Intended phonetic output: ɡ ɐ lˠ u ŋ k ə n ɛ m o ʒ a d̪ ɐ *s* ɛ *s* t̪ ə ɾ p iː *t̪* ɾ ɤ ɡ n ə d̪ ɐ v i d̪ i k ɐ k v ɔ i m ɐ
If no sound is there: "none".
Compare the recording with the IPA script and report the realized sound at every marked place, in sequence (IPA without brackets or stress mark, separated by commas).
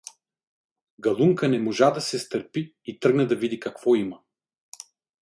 s, s, t̪